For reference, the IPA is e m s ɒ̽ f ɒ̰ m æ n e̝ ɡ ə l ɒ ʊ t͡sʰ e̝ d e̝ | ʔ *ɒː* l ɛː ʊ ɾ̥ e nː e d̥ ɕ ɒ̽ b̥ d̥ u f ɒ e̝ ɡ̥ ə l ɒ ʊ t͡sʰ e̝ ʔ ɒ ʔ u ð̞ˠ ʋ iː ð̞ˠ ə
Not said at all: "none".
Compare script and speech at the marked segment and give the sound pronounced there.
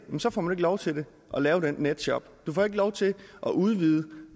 ɒ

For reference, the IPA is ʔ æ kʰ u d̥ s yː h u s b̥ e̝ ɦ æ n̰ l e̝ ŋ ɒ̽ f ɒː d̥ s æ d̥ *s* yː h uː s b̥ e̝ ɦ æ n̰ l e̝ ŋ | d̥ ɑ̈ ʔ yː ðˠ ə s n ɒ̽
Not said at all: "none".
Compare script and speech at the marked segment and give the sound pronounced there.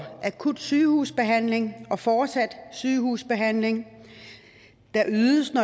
s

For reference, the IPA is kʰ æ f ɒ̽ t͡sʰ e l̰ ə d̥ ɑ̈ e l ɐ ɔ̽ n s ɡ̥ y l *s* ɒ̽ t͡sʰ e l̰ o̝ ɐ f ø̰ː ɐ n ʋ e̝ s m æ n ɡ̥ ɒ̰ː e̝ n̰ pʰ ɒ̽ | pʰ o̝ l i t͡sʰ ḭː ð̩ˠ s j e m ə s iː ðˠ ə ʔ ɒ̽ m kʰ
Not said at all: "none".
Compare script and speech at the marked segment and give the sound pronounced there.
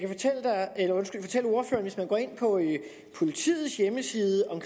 f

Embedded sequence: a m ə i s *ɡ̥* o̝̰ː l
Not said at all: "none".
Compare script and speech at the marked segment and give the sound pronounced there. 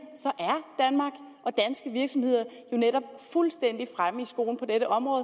ɡ̥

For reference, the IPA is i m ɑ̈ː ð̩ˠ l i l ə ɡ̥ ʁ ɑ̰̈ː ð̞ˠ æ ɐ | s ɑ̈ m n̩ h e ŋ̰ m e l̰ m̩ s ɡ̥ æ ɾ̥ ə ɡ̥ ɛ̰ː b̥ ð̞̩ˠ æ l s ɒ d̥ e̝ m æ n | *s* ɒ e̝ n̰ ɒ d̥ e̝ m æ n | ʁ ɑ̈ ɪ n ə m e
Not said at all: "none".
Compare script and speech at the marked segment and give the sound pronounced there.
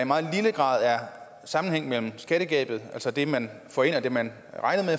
f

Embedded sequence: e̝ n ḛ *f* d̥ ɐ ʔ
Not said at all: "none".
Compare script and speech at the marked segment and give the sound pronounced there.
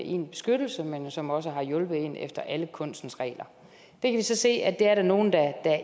f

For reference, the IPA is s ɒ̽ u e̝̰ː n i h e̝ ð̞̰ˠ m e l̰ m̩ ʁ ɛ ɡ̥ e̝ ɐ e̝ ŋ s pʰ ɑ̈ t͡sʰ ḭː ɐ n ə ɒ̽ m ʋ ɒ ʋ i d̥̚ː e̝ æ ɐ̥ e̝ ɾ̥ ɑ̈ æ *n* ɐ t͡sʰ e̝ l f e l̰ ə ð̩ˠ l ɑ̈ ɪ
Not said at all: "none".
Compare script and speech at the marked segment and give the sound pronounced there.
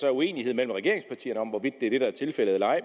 none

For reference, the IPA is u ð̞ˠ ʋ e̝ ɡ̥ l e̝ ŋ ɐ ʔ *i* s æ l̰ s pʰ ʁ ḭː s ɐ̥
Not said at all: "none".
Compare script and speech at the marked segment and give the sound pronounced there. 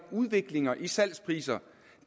i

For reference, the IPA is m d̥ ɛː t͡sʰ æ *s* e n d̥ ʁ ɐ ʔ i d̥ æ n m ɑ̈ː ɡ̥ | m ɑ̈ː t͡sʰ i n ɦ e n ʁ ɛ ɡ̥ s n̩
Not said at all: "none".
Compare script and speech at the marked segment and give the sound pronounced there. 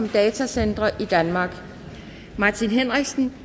s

